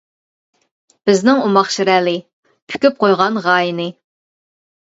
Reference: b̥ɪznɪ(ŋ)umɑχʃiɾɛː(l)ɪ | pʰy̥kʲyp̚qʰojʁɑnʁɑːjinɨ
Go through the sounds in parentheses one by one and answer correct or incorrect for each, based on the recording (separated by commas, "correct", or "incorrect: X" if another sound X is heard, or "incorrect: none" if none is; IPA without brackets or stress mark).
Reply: correct, correct